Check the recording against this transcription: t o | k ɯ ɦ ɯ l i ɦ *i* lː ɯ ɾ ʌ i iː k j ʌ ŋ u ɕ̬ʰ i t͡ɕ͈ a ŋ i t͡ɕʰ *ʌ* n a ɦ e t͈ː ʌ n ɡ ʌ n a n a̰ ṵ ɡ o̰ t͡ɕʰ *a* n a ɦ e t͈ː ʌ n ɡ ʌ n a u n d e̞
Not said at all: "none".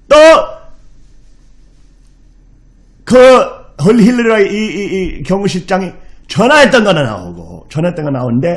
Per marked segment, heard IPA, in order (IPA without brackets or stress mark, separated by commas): i, ʌ, ʌ